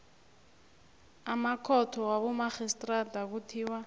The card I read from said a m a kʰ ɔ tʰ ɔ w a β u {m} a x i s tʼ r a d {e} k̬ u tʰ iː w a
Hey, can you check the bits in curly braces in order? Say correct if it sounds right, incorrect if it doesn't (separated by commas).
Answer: correct, incorrect